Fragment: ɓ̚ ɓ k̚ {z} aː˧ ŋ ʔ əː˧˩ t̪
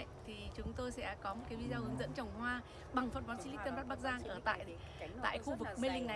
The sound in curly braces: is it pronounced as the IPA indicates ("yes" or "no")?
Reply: yes